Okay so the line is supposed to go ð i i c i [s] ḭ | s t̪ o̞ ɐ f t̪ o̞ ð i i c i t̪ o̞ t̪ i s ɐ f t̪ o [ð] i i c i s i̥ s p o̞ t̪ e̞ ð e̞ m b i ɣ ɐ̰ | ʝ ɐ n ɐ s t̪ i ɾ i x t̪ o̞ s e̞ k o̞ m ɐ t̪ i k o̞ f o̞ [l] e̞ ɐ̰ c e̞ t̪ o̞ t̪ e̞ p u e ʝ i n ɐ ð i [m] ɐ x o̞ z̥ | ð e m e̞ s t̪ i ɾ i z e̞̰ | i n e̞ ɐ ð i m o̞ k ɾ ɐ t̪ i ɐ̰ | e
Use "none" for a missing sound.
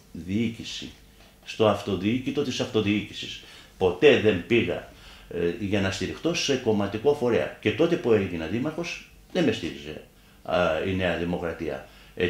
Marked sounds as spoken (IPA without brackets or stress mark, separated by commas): s, ð, ɾ, m